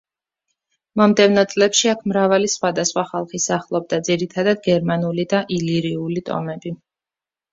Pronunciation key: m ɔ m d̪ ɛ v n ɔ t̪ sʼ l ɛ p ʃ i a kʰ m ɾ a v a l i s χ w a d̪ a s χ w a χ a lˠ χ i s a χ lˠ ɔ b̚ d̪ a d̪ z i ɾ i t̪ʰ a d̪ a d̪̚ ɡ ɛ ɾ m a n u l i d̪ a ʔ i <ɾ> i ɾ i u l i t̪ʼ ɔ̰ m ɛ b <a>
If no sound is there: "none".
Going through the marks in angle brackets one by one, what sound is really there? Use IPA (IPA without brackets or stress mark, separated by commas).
l, i